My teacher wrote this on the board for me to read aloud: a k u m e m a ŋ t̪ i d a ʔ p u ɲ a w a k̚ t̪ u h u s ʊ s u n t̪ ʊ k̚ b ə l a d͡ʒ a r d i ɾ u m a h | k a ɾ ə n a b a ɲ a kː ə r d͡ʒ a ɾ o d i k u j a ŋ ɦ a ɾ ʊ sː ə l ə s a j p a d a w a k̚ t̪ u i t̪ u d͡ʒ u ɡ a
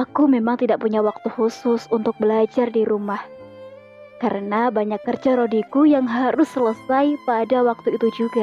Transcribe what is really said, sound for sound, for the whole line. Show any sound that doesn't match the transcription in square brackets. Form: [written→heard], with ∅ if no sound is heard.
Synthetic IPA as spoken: a k u m e m a ŋ t̪ i d a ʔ p u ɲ a w a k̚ t̪ u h u s ʊ s u n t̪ ʊ k̚ b ə l a d͡ʒ a r d i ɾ u m a h | k a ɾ ə n a b a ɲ a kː ə r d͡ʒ a ɾ o d i k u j a ŋ ɦ a ɾ ʊ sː ə l ə s a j p a d a w a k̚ t̪ u i t̪ u d͡ʒ u ɡ a